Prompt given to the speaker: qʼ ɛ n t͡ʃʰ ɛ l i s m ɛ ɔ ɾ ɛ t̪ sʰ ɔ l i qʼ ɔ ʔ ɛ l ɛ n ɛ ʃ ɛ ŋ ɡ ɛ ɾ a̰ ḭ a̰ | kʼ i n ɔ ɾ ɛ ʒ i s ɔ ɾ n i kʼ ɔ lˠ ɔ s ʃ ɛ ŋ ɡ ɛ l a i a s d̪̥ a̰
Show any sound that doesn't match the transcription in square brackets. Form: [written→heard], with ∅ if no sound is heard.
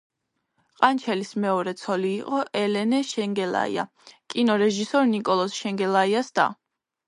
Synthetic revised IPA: qʼ [ɛ→a] n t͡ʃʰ ɛ l i s m ɛ ɔ ɾ ɛ t̪ sʰ ɔ l [i→iː] qʼ ɔ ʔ ɛ l ɛ n ɛ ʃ ɛ ŋ ɡ ɛ [ɾ→l] a̰ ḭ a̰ | kʼ i n ɔ ɾ ɛ ʒ i s ɔ ɾ n i kʼ ɔ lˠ ɔ s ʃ ɛ ŋ ɡ ɛ l a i a s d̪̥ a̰